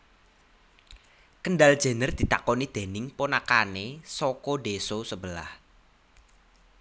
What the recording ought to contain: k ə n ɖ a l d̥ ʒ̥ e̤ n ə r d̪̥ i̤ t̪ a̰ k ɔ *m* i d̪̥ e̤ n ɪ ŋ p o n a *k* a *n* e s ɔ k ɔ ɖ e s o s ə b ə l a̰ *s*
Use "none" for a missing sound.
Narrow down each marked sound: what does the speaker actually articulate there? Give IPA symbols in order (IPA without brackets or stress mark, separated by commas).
n, k, n, h